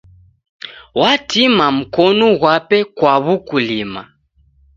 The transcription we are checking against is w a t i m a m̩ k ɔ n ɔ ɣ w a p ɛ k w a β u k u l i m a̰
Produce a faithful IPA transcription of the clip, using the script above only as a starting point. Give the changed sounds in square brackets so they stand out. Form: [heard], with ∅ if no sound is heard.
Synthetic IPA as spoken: w a t i m a m̩ k ɔ n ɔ ɣ w a p ɛ k w a β u k u l i m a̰